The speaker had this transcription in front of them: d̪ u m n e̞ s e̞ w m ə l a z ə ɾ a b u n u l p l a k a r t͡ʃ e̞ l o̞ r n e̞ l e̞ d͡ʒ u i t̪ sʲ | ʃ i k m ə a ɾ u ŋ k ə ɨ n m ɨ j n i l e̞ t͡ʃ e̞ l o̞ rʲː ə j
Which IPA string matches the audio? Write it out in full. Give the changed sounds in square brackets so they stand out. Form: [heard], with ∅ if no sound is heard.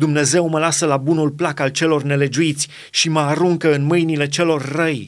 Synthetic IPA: d̪ u m n e̞ [z] e̞ w m ə l a [s] ə [l] a b u n u l p l a k a [l] t͡ʃ e̞ l o̞ r n e̞ l e̞ d͡ʒ u i t̪ sʲ | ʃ i [∅] m ə a ɾ u ŋ k ə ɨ n m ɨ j n i l e̞ t͡ʃ e̞ l o̞ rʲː ə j